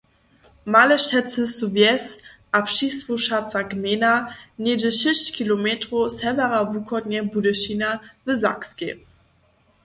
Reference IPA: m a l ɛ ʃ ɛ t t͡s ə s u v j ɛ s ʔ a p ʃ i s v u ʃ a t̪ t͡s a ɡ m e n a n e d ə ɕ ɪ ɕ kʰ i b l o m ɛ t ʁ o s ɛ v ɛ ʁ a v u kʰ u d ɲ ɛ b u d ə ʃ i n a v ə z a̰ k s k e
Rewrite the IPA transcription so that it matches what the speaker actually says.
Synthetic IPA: m a l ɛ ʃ ɛ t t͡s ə s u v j ɛ s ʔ a p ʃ i s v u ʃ a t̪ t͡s a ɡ m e n a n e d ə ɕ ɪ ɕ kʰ i l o m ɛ t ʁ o s ɛ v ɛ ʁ a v u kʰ ɔ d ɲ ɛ b u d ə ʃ i n a v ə z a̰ k s k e